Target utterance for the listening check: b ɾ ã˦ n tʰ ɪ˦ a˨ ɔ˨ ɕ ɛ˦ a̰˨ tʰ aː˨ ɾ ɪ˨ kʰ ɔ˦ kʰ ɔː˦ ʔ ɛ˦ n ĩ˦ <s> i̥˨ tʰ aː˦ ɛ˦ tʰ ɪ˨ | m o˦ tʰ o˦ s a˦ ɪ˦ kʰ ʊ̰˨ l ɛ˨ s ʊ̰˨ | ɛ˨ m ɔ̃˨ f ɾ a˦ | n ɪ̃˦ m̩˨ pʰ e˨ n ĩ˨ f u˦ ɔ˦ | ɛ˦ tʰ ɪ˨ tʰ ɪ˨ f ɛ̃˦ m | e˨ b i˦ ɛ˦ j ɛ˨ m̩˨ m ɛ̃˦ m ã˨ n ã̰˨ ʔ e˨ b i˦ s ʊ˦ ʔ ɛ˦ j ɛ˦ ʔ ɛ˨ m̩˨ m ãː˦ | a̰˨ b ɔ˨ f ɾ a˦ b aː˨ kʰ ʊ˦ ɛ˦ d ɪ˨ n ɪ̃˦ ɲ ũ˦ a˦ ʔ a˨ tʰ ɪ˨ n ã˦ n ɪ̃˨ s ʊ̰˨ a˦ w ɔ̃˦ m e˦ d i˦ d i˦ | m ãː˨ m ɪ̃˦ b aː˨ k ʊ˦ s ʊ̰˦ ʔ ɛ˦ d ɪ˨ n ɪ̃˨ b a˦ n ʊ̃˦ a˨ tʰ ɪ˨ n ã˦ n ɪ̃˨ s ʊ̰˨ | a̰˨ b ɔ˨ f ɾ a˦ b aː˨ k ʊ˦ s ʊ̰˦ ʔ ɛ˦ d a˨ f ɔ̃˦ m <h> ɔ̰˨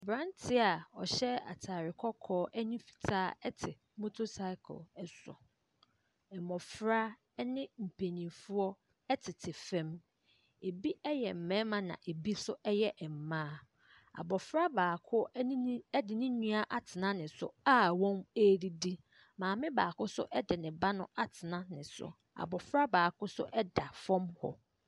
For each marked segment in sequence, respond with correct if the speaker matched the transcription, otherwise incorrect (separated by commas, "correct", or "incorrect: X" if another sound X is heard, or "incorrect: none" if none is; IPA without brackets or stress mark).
incorrect: f, correct